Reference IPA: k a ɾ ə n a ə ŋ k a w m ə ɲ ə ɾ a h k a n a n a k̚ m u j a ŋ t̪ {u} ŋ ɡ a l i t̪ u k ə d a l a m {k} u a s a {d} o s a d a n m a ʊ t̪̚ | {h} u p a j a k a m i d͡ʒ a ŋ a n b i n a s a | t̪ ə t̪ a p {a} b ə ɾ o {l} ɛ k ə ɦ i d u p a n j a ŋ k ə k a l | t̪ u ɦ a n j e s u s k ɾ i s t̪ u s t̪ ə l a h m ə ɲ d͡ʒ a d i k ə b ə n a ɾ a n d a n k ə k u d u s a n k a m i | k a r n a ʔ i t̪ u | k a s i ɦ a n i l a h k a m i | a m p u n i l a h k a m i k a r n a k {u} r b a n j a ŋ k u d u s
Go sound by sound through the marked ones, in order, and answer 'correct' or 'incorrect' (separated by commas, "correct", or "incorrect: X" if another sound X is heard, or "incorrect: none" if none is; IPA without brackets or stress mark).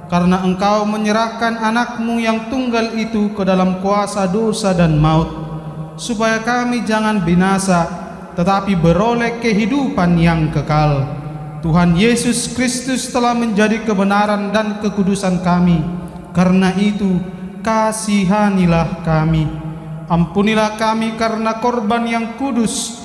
correct, correct, correct, incorrect: s, incorrect: i, correct, incorrect: ɔ